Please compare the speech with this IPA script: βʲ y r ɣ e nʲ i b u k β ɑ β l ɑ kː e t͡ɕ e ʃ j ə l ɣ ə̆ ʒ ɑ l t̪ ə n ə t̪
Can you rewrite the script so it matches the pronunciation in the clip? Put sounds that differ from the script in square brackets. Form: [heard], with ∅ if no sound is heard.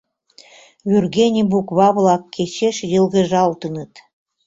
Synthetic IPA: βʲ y r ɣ e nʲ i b u k β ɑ β l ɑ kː e t͡ɕ e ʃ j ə l ɣ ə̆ ʒ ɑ l t̪ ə n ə t̪